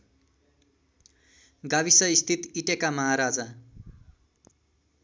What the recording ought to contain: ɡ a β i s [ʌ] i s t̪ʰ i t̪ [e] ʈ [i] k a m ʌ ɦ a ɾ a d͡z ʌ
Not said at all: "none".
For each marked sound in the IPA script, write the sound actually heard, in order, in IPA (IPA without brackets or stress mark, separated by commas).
ʌ, i, e